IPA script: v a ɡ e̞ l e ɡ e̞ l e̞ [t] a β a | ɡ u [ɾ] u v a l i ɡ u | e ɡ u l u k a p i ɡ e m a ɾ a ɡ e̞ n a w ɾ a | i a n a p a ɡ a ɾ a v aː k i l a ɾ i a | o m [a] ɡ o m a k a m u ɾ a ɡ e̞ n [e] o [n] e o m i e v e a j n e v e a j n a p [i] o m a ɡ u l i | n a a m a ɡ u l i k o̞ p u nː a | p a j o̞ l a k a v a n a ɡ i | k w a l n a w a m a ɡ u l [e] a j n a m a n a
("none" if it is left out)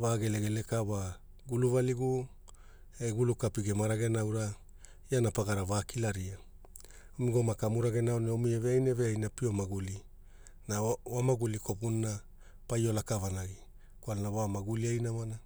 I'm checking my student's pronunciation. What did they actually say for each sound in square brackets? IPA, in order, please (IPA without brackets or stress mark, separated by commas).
k, l, i, a, n, i, i